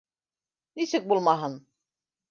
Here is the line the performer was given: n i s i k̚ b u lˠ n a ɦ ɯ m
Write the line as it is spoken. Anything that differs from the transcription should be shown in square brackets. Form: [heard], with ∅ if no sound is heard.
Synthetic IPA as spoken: n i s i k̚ b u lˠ [m] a ɦ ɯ [n]